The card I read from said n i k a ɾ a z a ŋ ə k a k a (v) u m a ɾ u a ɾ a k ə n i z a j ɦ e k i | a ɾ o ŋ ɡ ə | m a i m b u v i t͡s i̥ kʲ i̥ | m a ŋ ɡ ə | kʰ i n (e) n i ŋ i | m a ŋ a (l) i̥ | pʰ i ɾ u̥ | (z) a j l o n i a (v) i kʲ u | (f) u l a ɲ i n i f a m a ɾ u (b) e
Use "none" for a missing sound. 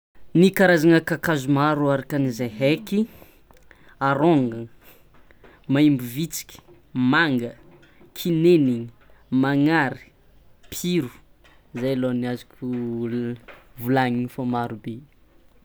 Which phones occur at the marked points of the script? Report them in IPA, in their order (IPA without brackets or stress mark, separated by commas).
z, e, ɾ, z, z, v, b